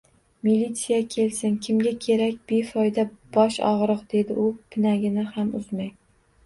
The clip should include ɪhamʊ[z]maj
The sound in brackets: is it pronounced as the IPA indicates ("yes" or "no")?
yes